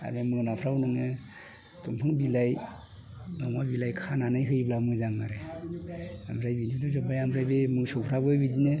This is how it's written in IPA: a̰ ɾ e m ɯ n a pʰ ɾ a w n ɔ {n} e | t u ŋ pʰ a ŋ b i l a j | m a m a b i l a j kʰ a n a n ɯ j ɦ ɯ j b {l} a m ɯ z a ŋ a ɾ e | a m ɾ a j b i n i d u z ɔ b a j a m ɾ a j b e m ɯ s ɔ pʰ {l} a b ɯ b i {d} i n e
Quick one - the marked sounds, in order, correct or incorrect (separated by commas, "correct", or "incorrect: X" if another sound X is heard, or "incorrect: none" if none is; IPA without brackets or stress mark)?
incorrect: ŋ, correct, incorrect: ɾ, correct